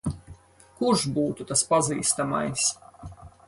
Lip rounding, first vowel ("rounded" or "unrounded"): rounded